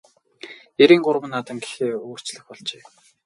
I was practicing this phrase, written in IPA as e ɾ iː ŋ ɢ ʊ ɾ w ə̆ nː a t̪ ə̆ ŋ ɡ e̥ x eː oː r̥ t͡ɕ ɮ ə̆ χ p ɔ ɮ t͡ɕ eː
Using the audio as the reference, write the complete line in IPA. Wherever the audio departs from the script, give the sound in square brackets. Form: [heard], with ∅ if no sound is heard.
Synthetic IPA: e ɾ iː ŋ ɢ ʊ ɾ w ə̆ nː a t̪ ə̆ ŋ ɡ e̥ x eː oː r̥ t͡ɕ ɮ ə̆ [x] p ɔ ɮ t͡ɕ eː